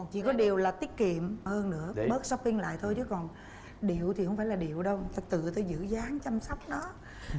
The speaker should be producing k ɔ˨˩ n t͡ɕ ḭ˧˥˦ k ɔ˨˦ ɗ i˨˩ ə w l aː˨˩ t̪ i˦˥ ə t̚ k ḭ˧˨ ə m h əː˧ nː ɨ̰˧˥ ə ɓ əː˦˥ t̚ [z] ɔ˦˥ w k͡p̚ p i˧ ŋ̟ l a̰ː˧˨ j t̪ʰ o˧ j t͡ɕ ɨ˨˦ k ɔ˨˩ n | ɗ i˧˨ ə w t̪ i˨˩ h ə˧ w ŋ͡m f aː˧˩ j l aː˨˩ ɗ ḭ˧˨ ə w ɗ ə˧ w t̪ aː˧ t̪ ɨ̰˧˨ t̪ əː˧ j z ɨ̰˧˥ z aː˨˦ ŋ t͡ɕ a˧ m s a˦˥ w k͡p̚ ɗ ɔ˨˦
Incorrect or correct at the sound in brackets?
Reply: incorrect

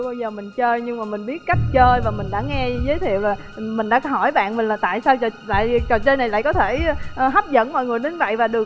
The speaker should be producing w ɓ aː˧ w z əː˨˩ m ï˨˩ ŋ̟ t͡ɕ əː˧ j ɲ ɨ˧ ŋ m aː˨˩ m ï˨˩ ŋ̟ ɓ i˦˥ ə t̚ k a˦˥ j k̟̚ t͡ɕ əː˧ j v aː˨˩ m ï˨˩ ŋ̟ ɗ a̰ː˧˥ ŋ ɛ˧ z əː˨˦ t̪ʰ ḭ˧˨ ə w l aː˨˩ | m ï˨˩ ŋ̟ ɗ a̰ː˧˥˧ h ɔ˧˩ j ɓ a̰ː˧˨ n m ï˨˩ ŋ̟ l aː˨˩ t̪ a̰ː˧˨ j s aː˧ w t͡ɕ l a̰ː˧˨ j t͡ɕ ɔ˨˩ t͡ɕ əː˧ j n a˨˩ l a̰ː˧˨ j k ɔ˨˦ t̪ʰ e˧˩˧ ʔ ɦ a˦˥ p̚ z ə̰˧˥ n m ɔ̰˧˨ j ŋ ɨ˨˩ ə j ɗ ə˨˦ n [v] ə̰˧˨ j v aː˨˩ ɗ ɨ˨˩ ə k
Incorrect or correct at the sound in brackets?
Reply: correct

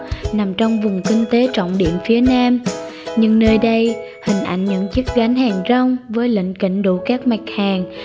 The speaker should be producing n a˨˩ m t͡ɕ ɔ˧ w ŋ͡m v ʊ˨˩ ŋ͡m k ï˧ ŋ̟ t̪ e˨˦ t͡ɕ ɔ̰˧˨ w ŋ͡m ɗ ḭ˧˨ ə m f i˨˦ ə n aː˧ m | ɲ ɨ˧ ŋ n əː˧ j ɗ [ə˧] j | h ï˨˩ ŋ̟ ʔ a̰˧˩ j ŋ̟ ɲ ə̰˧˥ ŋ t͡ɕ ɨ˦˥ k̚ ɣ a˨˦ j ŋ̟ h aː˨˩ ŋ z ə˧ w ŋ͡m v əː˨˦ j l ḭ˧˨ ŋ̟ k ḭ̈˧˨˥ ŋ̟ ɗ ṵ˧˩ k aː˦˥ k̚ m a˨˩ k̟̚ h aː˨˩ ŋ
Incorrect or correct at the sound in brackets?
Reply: correct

